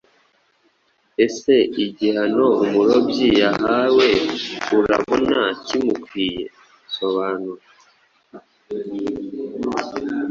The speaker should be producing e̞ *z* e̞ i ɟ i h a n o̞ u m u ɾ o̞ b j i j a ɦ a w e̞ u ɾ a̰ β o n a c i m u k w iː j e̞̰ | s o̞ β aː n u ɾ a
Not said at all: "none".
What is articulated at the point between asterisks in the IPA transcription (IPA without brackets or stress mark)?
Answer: s